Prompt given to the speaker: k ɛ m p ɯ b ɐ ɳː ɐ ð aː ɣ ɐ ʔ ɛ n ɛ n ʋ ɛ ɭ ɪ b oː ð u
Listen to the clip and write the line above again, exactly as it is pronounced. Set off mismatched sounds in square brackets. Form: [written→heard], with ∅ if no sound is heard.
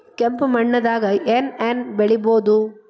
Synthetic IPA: k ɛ m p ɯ [b→m] ɐ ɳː ɐ ð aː ɣ ɐ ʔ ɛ n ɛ n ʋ ɛ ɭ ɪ b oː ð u